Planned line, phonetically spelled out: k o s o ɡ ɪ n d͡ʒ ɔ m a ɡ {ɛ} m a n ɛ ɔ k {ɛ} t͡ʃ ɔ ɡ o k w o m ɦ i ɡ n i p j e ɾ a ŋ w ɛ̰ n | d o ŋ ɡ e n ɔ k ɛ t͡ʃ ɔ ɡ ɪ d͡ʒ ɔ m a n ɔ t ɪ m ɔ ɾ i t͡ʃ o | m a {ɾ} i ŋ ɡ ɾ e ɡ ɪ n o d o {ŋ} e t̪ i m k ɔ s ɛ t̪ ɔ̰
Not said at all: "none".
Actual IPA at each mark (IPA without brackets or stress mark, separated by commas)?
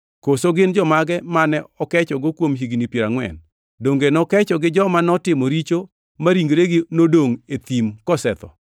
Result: ɛ, ɛ, ɾ, ŋ